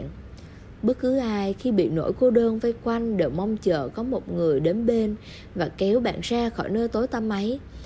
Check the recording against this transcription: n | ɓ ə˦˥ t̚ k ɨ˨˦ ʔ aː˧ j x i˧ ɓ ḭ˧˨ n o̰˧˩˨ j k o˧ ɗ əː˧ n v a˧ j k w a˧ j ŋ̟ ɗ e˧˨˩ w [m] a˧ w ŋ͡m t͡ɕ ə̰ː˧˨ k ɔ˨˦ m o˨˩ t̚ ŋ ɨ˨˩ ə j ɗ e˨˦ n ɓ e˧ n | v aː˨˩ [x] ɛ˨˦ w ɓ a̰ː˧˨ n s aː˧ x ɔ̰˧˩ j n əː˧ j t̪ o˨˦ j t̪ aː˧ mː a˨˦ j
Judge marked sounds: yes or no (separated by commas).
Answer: yes, no